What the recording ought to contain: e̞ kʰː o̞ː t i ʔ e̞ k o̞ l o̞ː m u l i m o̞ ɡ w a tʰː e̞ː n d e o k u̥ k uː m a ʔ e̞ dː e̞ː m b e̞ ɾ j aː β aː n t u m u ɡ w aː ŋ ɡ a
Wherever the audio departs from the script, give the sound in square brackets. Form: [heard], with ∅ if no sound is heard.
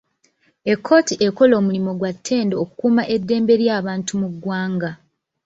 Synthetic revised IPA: e̞ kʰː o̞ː t i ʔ e̞ k o̞ l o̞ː m u l i m o̞ ɡ w a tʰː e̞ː n d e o k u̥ k uː m a ʔ e̞ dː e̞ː m b e̞ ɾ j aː β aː n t u m u ɡ w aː ŋ ɡ a